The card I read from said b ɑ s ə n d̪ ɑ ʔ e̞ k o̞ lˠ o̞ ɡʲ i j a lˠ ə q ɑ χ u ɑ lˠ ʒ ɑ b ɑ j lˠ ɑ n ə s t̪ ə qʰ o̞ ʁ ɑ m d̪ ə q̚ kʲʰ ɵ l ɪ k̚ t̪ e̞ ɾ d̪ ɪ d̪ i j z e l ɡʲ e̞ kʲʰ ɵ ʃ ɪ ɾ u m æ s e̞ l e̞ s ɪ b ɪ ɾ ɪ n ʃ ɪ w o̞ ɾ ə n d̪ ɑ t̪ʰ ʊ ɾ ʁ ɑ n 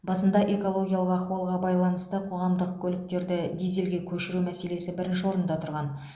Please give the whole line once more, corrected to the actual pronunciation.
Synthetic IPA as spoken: b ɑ s ə n d̪ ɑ ʔ e̞ k o̞ lˠ o̞ ɡʲ i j a lˠ ə q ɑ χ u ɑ lˠ ʁ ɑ b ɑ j lˠ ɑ n ə s t̪ ə qʰ o̞ ʁ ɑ m d̪ ə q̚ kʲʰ ɵ l ɪ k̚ t̪ e̞ ɾ d̪ ɪ d̪ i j z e l ɡʲ e̞ kʲʰ ɵ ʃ ɪ ɾ u m æ s e̞ l e̞ s ɪ b ɪ ɾ ɪ n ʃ ɪ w o̞ ɾ ə n d̪ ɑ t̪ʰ ʊ ɾ ʁ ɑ n